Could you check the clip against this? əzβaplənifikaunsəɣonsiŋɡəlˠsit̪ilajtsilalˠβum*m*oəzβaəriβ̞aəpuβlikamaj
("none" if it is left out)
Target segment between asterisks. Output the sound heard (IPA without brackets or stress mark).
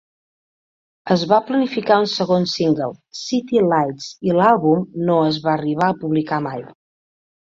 n